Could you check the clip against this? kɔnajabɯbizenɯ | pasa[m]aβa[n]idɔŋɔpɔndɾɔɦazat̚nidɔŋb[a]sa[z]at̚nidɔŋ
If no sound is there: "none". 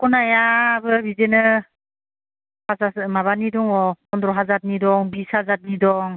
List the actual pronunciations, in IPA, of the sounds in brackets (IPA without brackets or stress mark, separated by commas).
m, n, i, z